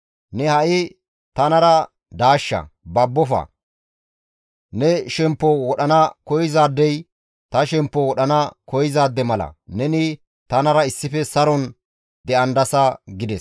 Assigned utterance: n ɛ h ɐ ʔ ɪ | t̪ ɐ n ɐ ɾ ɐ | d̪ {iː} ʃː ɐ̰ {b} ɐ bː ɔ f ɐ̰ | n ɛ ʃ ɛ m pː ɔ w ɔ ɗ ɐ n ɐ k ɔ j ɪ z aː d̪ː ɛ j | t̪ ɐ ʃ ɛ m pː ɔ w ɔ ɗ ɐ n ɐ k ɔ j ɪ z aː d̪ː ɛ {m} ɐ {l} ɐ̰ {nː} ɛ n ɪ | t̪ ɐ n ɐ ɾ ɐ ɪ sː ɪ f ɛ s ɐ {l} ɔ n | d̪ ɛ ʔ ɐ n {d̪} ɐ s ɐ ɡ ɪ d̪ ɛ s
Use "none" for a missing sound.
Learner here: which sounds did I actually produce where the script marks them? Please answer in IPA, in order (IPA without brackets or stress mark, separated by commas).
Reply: aː, b, m, l, n, ɾ, d̪